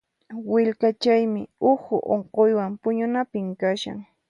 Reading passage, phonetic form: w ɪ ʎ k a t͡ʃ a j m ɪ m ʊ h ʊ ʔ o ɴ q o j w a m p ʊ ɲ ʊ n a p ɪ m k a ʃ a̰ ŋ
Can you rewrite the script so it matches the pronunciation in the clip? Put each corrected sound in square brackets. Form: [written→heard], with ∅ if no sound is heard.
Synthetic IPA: w ɪ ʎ k a t͡ʃ a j m ɪ [m→∅] ʊ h ʊ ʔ o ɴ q o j w a m p ʊ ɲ ʊ n a p ɪ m k a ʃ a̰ ŋ